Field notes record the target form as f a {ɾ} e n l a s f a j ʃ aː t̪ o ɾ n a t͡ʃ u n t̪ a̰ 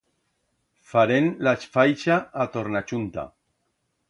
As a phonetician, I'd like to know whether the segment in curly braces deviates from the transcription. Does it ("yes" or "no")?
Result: no